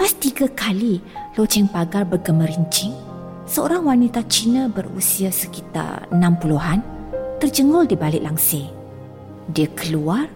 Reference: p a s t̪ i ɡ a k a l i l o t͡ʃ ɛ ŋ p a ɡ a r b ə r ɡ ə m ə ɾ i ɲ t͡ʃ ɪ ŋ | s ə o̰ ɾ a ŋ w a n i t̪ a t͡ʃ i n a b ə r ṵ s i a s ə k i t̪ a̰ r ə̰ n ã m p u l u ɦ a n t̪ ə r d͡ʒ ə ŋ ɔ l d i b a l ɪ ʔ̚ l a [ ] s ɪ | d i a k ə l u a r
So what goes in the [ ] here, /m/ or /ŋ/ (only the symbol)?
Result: ŋ